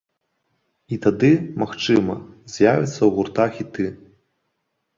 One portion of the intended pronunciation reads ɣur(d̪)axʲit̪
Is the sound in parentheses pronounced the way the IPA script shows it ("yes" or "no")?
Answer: no